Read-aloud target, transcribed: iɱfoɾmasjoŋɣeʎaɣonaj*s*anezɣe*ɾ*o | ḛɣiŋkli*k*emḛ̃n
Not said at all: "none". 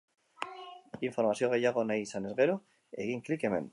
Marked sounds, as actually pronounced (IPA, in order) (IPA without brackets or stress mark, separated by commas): s, ɾ, k